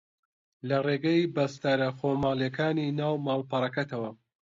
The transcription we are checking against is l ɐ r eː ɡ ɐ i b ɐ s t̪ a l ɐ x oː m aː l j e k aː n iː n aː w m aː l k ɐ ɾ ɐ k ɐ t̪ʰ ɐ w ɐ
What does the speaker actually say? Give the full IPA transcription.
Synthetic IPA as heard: l ɐ r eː ɡ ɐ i b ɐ s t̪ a ɾ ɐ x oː m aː l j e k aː n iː n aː w m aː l p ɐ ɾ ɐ k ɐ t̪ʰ ɐ w ɐ